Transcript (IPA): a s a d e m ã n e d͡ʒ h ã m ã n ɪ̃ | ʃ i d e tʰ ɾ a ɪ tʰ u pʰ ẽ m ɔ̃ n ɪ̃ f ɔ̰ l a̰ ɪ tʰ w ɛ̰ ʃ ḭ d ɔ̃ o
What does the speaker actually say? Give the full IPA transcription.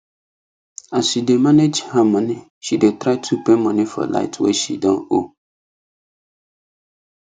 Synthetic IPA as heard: a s i d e m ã n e d͡ʒ h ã m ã n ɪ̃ | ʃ i d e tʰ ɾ a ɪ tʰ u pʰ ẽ m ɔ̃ n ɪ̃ f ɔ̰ l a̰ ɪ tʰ w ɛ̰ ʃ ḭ d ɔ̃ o